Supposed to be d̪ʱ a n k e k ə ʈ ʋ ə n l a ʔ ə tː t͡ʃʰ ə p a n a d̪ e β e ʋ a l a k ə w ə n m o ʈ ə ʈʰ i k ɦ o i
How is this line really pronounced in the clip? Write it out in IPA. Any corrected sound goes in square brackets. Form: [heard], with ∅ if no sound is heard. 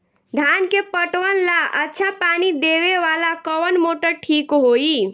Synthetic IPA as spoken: d̪ʱ a n k e [p] ə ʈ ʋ ə n l a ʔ ə tː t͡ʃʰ [a] p a n [i] d̪ e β e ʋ a l a k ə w ə n m o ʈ ə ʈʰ i k ɦ o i